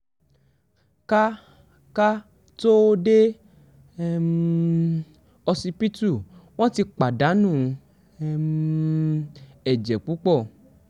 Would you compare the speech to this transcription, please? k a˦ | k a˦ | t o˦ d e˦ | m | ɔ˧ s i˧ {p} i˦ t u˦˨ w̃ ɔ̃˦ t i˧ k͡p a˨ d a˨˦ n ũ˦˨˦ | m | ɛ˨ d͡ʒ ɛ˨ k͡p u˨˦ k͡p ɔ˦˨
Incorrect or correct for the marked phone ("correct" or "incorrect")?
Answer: correct